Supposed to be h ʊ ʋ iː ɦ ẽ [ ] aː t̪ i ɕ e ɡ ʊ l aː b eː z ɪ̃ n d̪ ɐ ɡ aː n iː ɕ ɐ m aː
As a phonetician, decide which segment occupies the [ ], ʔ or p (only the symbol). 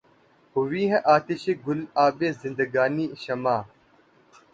ʔ